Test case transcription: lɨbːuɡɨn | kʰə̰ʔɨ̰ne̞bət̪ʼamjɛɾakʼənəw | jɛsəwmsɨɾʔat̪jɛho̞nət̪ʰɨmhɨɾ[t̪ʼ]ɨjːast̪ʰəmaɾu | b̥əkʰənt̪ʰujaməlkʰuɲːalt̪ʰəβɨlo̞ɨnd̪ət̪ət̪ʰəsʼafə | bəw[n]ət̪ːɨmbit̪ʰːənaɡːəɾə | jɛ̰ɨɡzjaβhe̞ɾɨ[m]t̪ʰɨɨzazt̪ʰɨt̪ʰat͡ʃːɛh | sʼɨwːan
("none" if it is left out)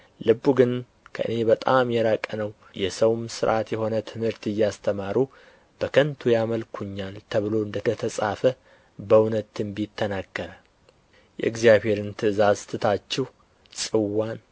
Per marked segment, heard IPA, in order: t̪, n, n

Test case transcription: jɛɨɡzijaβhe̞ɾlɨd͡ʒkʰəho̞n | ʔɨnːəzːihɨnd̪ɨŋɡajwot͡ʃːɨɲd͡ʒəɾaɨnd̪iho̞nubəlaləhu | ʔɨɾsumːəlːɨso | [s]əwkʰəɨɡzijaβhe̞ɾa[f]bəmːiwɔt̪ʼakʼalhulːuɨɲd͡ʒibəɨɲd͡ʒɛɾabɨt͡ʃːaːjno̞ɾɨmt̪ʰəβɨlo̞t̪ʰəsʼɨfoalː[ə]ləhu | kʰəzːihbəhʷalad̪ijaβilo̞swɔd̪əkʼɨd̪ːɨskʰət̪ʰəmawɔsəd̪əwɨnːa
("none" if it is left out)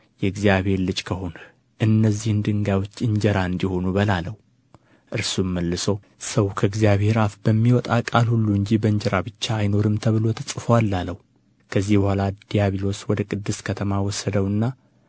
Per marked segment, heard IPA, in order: s, f, a

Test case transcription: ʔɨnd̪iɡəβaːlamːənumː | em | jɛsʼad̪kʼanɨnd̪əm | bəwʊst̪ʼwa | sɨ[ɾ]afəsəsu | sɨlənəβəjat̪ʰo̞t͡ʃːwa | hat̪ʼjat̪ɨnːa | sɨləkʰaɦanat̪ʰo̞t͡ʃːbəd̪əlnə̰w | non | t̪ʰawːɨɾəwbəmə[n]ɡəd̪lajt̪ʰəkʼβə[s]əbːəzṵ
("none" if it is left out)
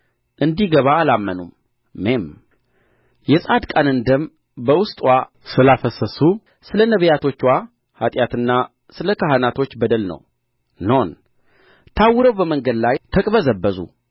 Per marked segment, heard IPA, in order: l, ŋ, z

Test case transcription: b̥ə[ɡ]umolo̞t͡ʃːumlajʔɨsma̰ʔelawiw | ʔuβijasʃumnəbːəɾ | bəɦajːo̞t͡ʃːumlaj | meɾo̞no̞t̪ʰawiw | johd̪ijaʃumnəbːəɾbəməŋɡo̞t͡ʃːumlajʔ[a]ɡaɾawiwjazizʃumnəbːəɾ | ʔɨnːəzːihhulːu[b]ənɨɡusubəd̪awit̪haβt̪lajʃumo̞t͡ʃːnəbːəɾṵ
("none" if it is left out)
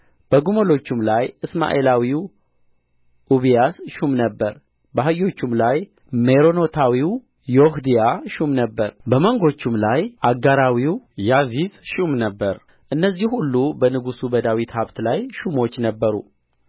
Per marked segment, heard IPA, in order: ɡ, a, b

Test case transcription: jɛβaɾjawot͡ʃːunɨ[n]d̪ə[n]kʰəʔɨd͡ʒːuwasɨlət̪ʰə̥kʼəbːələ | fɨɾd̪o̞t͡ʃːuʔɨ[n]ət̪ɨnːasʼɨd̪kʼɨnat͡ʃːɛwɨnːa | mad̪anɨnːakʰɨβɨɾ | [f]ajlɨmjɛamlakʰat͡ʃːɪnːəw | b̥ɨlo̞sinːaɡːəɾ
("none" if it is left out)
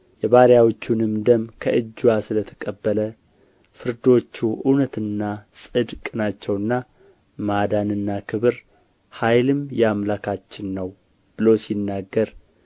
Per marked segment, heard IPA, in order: m, m, n, h

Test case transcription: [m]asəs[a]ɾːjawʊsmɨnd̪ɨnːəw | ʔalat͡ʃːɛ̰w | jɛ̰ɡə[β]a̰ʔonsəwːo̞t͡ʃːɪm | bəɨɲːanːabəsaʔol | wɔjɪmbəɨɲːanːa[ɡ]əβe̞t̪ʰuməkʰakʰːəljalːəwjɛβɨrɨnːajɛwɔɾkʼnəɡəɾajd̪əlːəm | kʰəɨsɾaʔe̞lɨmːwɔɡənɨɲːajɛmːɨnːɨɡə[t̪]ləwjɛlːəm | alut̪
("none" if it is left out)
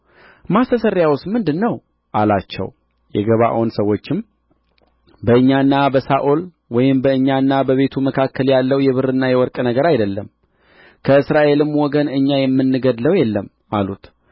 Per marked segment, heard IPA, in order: m, ə, β, b, d̪

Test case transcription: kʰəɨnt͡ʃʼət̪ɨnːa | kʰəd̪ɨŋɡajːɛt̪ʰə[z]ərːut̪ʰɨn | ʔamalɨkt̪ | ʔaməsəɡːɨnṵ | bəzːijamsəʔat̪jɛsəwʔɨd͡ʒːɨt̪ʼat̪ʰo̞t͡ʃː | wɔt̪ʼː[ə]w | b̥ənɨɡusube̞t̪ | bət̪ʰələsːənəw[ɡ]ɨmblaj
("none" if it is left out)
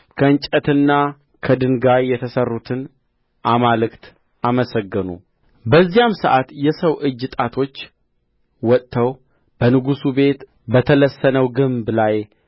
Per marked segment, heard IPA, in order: s, ə, ɡ

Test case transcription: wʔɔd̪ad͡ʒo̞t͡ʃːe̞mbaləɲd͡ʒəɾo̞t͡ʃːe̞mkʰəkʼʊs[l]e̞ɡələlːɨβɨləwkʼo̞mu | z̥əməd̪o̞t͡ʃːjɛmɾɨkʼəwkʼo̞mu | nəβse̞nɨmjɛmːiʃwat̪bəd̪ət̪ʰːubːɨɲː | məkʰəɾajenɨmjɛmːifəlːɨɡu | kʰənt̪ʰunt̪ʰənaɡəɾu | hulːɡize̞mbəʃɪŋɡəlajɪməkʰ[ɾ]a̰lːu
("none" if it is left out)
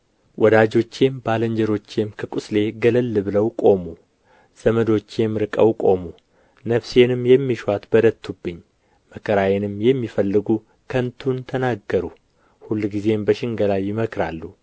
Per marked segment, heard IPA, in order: l, ɾ

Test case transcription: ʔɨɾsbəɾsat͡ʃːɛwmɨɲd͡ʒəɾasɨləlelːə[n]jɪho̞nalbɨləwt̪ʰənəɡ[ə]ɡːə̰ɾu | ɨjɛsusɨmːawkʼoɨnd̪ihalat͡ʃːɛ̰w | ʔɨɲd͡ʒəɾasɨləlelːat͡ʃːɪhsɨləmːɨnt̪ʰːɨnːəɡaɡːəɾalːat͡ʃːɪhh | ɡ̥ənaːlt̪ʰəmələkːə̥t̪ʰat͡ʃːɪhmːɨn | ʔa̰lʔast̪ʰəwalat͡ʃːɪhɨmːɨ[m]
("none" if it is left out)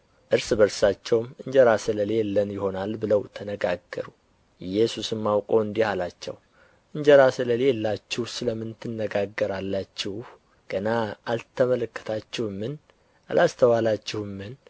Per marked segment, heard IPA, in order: n, a, n

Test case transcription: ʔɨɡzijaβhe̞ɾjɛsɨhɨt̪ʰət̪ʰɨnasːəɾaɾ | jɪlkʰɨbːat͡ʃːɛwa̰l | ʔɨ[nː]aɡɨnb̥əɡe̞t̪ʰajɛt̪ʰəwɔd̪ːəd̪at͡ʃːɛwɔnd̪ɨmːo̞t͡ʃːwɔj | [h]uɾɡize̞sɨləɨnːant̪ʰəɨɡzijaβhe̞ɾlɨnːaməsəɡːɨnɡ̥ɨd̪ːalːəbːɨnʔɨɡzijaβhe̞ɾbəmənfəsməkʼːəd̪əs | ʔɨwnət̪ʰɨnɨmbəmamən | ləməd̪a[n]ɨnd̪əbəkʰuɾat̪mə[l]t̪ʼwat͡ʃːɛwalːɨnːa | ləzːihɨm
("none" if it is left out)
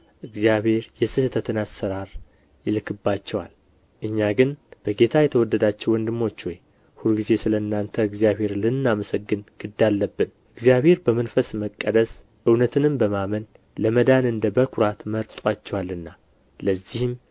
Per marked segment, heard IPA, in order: ɲː, h, n, ɾ

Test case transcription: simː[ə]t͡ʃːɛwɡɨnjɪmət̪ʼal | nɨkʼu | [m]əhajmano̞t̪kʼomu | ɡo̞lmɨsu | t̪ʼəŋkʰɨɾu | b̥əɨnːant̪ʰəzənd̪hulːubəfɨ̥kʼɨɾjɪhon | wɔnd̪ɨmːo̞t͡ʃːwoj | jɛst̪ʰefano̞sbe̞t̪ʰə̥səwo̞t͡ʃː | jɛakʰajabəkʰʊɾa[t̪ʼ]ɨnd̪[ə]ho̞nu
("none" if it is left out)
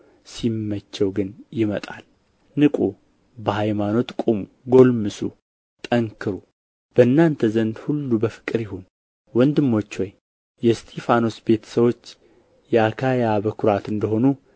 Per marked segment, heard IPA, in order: ə, b, t̪, ə

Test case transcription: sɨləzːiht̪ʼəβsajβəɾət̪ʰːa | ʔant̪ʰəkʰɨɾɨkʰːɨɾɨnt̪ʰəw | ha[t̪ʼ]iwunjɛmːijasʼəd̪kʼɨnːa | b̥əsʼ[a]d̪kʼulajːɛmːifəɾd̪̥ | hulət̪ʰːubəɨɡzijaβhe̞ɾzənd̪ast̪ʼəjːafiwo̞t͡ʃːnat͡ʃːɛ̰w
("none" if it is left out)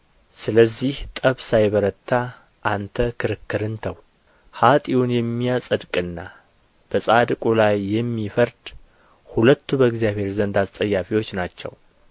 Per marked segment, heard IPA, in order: t̪ʼ, a

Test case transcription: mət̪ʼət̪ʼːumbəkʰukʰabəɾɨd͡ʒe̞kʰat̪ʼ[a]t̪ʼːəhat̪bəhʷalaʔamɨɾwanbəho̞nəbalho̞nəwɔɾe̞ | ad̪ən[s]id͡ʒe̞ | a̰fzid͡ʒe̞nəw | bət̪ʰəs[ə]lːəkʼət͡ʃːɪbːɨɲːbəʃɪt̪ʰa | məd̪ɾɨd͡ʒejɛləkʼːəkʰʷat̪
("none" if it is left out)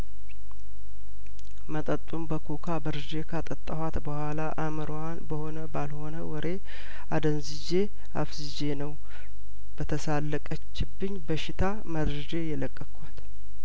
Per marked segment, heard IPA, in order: ə, z, a

